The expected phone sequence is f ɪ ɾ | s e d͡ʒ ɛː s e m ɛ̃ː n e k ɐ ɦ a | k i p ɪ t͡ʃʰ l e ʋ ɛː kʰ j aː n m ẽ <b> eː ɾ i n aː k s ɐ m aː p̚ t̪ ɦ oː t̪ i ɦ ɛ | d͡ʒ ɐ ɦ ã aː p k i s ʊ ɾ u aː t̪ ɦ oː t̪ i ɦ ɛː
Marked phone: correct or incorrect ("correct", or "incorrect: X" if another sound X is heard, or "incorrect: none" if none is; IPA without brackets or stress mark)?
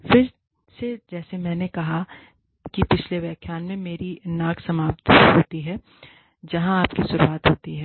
incorrect: m